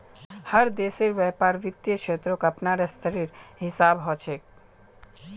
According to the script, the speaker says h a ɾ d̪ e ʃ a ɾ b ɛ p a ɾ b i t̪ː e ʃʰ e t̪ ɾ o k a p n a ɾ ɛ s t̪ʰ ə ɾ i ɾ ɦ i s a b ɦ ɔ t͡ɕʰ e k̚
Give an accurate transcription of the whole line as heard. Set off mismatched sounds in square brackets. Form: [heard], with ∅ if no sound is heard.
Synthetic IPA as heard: h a ɾ d̪ e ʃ [e] ɾ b ɛ p a ɾ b i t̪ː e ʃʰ e t̪ ɾ o k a p n a ɾ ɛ s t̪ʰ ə ɾ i ɾ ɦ i s a b ɦ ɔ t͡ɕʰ e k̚